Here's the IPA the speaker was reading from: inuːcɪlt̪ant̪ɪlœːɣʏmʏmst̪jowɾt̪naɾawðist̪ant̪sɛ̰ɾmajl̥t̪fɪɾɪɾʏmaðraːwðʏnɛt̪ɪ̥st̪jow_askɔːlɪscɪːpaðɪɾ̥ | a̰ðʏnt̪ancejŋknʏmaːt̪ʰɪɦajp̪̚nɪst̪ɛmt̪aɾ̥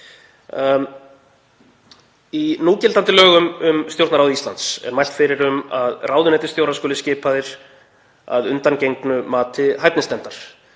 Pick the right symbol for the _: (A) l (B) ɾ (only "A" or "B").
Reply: B